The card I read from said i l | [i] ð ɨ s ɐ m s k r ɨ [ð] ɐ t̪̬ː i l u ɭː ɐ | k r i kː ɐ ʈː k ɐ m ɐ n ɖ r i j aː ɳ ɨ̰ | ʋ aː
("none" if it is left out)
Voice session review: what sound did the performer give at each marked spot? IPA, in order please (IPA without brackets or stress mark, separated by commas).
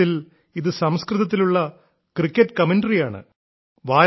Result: i, ð